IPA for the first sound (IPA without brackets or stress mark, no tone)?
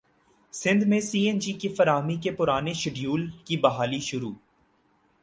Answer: s